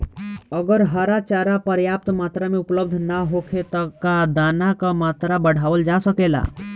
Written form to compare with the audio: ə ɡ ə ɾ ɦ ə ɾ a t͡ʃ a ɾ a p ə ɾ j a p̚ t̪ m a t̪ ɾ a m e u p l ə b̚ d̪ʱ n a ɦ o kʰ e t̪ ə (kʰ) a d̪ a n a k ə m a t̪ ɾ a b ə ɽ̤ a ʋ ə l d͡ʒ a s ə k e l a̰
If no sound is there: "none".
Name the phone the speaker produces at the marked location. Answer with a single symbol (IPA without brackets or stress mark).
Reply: k